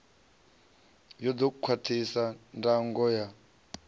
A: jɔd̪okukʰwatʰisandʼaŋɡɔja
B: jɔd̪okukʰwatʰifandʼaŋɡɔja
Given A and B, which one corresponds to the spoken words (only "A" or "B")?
A